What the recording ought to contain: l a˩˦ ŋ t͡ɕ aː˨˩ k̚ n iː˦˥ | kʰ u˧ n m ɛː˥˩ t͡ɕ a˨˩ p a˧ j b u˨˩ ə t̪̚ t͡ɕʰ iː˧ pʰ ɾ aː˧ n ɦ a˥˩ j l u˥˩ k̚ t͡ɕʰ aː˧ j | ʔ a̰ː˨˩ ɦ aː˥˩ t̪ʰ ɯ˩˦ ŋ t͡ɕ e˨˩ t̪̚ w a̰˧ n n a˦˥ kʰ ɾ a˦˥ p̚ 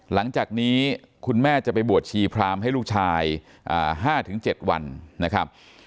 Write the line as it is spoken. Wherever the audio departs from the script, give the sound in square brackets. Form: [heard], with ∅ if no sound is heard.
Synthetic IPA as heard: l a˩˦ ŋ t͡ɕ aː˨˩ k̚ n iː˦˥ | kʰ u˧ n m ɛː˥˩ t͡ɕ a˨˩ p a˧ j b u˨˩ ə t̪̚ t͡ɕʰ iː˧ pʰ ɾ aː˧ [m] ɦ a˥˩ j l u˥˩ k̚ t͡ɕʰ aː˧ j | ʔ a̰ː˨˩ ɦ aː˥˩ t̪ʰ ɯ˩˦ ŋ t͡ɕ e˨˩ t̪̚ w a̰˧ n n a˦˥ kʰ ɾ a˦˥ p̚